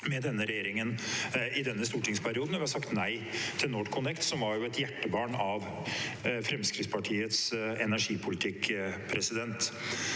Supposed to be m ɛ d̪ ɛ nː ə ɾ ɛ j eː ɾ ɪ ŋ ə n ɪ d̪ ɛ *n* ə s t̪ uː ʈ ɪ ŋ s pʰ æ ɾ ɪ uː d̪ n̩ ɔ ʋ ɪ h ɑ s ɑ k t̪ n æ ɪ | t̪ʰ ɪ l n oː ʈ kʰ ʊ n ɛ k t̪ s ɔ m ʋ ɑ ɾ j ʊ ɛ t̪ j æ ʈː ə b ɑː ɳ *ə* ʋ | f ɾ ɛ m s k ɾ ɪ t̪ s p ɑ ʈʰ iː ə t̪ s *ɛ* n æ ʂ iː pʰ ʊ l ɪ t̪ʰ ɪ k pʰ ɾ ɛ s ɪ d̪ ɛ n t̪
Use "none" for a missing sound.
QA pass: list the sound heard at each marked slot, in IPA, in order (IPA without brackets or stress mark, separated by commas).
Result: nː, ɑ, ɛ